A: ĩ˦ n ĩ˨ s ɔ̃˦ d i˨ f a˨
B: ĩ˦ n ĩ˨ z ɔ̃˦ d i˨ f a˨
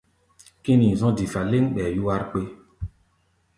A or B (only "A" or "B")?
B